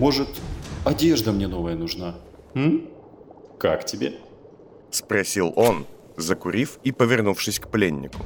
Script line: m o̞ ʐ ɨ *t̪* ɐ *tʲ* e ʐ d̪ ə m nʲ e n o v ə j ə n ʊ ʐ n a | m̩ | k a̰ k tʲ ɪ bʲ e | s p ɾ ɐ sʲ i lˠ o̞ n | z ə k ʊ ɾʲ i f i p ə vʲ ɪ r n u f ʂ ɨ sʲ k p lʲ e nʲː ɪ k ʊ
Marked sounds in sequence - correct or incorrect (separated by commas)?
correct, incorrect